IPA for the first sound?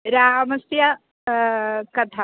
ɾ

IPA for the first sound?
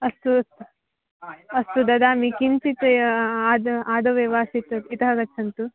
ɐ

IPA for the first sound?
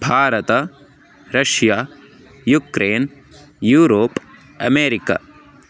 bʱ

